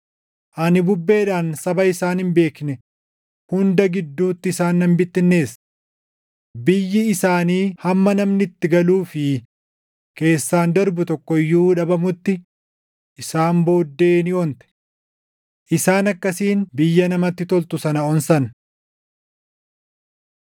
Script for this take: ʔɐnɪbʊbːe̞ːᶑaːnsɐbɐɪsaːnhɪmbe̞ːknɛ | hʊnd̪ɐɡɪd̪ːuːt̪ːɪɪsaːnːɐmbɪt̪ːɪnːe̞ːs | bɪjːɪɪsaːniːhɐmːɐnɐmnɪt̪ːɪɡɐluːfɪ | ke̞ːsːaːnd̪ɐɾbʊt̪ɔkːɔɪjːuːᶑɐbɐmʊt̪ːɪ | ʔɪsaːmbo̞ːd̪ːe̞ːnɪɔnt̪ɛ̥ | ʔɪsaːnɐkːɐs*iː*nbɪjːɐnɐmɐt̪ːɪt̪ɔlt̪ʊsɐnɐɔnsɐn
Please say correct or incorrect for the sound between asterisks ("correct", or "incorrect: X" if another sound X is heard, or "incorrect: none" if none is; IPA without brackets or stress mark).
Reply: correct